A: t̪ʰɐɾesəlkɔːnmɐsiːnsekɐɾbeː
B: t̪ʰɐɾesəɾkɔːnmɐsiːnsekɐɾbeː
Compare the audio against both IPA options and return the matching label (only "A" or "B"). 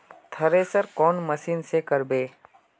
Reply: B